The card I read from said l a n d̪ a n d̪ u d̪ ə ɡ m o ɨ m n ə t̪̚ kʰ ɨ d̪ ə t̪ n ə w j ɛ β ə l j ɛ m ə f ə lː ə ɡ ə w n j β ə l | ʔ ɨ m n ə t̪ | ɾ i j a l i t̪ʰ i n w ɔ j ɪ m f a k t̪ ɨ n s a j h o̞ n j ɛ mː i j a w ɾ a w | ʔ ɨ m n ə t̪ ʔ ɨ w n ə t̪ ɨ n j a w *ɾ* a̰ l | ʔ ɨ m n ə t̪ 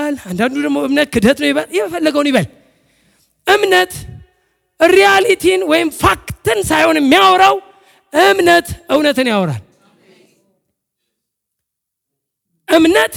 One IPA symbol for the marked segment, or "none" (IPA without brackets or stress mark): ɾ